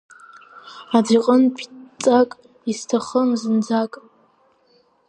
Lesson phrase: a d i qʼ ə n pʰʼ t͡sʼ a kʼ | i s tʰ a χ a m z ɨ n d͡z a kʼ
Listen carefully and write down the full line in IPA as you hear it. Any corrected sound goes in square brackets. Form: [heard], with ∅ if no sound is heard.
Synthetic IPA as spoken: a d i qʼ ə n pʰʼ t͡sʼ a kʼ | i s tʰ a χ [ə] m z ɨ n d͡z a kʼ